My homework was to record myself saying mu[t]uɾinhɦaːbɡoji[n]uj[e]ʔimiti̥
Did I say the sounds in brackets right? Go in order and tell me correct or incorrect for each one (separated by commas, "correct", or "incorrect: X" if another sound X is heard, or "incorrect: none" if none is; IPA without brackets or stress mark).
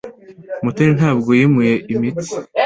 correct, incorrect: m, correct